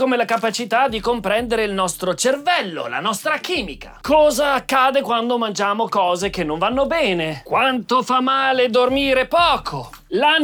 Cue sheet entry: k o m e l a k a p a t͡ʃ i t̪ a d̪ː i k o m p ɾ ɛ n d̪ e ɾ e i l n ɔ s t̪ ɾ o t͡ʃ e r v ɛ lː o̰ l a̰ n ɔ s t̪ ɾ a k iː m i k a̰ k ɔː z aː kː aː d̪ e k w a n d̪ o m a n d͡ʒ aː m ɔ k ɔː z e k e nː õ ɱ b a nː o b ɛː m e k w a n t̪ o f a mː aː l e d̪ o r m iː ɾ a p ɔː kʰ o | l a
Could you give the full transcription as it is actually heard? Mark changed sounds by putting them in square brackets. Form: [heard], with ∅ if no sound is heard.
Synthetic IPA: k o m e l a k a p a t͡ʃ i t̪ a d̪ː i k o m p ɾ ɛ n d̪ e ɾ e i l n ɔ s t̪ ɾ o t͡ʃ e r v ɛ lː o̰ l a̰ n ɔ s t̪ ɾ a k iː m i k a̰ k ɔː z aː kː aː d̪ e k w a n d̪ o m a n d͡ʒ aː m [o] k ɔː z e k e nː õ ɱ [v] a nː o b ɛː [n] e k w a n t̪ o f a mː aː l e d̪ o r m iː ɾ [e] p ɔː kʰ o | l a